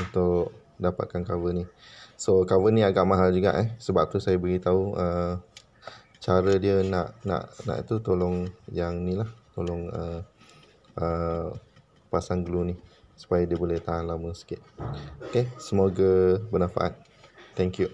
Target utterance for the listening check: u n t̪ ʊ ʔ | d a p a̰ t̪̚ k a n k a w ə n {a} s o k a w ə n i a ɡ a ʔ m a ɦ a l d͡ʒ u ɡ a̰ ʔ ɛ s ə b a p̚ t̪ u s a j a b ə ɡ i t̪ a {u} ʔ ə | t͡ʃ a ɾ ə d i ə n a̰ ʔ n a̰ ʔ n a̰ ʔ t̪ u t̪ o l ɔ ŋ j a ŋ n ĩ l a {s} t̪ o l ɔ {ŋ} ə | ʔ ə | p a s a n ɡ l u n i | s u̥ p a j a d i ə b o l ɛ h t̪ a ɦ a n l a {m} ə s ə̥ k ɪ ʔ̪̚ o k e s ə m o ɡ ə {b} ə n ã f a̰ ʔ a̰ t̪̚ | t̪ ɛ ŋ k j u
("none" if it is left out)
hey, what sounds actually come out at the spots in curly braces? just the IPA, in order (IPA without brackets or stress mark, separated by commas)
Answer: i, u, h, ŋ, m, b